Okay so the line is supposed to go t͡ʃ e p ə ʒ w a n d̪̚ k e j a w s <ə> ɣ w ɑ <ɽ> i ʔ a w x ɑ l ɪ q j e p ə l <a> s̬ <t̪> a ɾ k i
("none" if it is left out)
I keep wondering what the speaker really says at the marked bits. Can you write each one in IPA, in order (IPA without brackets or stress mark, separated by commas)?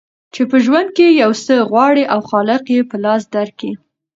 ə, ɽ, ɑ, d̪